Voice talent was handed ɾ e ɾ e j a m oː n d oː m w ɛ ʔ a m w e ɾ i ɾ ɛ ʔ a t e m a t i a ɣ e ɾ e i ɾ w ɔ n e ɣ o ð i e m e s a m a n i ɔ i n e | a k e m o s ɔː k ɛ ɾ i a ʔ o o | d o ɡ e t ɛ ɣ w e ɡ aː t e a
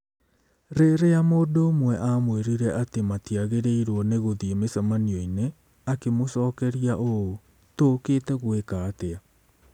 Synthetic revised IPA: ɾ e ɾ e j a m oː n d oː m w ɛ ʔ a m w e ɾ i ɾ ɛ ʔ a t e m a t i a ɣ e ɾ e i ɾ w ɔ n e ɣ o ð i e m e s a m a n i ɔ i n e | a k e m o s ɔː k ɛ ɾ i a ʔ o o | t o k e t ɛ ɣ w e k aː t e a